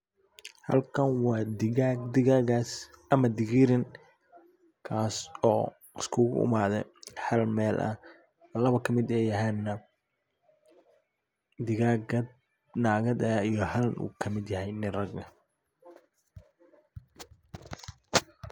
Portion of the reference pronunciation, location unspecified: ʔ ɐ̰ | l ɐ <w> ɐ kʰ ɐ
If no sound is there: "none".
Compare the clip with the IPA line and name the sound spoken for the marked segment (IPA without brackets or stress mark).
β